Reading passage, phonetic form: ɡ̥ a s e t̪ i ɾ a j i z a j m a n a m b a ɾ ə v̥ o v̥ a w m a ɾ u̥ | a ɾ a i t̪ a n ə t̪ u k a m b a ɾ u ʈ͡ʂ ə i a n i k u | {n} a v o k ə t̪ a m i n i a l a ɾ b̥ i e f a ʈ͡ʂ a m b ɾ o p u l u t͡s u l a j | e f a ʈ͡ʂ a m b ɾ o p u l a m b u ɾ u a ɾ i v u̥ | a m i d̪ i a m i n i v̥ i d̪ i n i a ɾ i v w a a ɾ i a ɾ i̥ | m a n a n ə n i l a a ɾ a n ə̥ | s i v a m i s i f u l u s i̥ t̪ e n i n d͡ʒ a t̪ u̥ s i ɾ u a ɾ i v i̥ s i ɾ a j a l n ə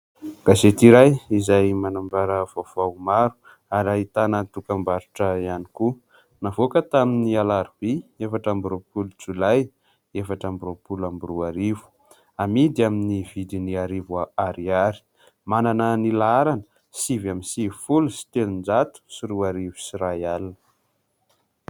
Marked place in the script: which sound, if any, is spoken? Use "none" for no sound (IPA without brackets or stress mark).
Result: n